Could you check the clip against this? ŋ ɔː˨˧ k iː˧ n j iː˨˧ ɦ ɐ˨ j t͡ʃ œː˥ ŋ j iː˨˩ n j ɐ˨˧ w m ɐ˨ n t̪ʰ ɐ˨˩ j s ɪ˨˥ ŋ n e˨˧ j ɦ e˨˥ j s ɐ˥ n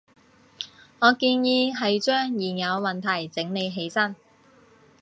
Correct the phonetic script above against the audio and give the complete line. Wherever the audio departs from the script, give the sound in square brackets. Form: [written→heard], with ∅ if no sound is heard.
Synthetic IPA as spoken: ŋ ɔː˨˧ k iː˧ n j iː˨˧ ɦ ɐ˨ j t͡ʃ œː˥ ŋ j iː˨˩ n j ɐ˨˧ w m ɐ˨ n t̪ʰ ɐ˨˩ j [s→t͡s] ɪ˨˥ ŋ n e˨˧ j ɦ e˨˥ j s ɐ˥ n